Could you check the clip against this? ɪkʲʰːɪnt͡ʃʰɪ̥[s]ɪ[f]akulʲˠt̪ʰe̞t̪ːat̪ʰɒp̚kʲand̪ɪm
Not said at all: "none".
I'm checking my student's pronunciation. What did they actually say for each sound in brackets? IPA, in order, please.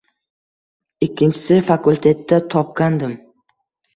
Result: s, f

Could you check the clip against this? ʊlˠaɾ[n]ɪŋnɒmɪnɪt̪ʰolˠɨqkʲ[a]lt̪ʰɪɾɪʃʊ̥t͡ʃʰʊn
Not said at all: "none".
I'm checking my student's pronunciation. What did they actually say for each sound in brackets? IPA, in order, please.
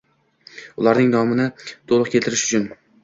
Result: n, e

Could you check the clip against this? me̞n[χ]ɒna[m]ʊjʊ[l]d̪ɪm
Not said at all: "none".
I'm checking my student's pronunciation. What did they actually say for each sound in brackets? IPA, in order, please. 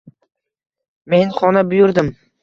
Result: χ, b, ɾ

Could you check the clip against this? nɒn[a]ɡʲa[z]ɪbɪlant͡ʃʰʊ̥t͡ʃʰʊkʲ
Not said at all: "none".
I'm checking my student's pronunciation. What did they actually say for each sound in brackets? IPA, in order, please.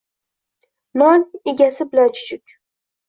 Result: e, s

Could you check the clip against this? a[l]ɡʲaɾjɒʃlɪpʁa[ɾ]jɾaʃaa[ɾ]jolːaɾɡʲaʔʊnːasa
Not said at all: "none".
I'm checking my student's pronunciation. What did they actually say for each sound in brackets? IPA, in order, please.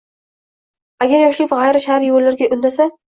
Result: none, none, ɾ

